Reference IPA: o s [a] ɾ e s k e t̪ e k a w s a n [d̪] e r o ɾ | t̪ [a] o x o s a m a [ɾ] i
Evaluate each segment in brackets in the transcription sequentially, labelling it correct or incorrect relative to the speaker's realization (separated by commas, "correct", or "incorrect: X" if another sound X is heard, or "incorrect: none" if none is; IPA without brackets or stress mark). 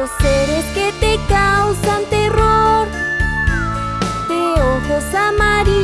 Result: incorrect: e, incorrect: t̪, incorrect: e, correct